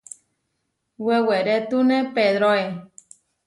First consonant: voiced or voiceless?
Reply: voiced